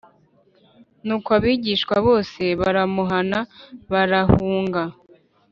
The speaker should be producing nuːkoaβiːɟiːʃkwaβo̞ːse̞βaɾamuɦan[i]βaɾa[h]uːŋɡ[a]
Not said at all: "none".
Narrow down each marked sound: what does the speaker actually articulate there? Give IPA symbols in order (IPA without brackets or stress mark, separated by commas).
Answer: a, h, a